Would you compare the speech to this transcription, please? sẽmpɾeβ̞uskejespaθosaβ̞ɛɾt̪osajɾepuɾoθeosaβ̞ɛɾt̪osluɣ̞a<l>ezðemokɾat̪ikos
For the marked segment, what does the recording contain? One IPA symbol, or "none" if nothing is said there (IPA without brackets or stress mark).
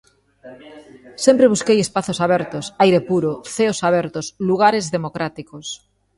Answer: ɾ